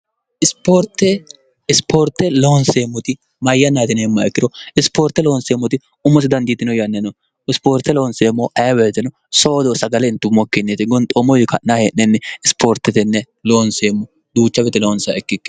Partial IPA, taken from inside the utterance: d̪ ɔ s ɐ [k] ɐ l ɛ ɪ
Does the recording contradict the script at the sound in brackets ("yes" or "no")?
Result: yes